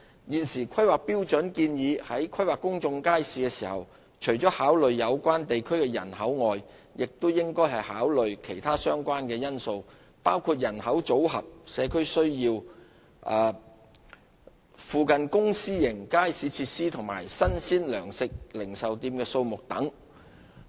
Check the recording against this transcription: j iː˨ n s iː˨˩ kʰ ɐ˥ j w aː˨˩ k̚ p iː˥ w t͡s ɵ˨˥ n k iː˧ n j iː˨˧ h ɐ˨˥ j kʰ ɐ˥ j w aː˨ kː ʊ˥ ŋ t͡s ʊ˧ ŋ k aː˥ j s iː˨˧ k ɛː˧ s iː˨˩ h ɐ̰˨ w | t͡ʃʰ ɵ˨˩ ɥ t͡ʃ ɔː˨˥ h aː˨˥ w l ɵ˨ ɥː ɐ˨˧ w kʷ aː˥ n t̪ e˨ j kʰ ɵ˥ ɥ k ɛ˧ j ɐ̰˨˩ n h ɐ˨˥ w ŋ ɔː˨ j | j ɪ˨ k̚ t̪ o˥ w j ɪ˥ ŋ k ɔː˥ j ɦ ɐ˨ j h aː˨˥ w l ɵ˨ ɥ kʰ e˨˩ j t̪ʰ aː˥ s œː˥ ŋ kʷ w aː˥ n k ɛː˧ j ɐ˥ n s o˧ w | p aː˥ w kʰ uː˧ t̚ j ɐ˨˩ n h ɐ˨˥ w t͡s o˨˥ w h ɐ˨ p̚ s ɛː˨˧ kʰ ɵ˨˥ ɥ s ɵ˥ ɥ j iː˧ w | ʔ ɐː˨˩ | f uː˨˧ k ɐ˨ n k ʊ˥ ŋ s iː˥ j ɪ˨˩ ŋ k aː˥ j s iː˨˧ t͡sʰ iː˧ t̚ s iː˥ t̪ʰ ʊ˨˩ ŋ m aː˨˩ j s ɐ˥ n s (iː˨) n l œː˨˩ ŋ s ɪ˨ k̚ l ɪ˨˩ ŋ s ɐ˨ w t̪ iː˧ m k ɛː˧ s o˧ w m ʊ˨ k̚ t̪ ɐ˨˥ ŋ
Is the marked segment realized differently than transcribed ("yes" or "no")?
yes